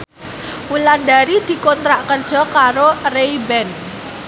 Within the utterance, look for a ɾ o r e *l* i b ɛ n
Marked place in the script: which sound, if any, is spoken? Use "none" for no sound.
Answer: none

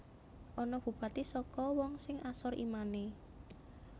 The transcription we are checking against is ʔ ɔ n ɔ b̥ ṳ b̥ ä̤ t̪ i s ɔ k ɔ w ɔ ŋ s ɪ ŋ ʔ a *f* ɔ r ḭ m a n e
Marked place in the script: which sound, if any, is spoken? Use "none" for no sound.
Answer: s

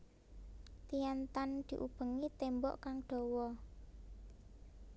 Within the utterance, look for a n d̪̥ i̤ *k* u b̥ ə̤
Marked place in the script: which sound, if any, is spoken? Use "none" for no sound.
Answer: ʔ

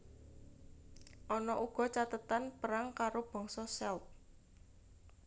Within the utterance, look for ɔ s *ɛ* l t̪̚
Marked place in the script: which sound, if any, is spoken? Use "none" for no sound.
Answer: ɛ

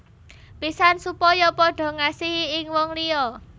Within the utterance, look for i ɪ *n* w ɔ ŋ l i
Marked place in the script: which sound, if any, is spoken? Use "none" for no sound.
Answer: ŋ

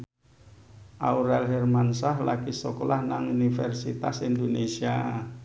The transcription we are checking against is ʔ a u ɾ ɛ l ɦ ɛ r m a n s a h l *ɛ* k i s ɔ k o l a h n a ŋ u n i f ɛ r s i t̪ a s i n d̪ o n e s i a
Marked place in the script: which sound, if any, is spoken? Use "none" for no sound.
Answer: a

